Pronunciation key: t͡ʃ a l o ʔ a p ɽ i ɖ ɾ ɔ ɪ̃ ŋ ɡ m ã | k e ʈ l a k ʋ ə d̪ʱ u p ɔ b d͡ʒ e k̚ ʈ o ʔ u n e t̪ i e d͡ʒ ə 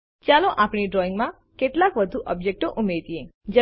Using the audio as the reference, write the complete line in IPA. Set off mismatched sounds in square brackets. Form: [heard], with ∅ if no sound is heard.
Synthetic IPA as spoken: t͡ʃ a l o ʔ a p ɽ i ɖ ɾ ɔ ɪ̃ ŋ ɡ m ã | k e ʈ l a k ʋ ə d̪ʱ u [ʔ] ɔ b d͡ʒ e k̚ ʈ o ʔ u [m] e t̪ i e d͡ʒ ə